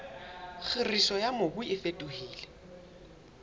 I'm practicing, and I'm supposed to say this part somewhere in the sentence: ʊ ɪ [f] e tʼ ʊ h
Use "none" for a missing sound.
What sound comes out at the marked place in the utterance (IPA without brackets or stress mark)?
f